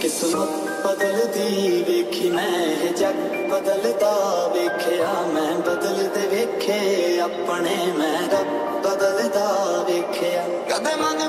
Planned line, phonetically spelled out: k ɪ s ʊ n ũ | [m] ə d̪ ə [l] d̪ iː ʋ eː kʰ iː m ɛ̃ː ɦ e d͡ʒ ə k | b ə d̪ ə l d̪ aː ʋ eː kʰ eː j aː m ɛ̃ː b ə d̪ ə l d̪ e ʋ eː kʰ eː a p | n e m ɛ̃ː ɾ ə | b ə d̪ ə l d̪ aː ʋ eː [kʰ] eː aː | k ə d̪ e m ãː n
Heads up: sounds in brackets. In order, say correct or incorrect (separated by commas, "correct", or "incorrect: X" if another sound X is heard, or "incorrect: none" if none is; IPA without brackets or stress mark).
incorrect: b, correct, correct